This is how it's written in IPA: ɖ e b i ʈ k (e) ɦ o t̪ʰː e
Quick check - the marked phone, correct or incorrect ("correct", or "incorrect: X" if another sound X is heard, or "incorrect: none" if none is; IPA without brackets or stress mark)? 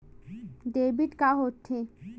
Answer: incorrect: a